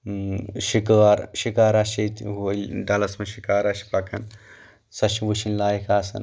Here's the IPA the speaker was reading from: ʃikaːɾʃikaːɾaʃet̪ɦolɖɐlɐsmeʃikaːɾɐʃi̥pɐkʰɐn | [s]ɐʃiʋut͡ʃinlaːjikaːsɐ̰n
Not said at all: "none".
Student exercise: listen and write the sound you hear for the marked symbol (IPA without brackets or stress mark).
s